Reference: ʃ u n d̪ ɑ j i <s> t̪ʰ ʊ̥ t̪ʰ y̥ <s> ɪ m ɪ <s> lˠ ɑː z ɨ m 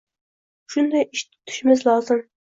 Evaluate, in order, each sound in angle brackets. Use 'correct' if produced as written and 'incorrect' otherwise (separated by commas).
incorrect, incorrect, incorrect